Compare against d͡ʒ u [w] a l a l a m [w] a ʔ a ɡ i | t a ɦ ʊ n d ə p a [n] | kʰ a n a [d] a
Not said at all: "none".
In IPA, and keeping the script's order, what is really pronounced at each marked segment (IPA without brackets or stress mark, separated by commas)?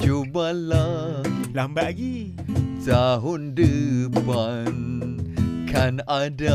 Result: b, b, n, d